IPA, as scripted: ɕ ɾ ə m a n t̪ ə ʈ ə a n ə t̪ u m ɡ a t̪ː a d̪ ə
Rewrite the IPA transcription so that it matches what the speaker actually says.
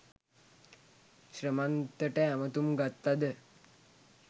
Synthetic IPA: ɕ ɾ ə m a n t̪ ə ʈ ə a m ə t̪ u m ɡ a t̪ː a d̪ ə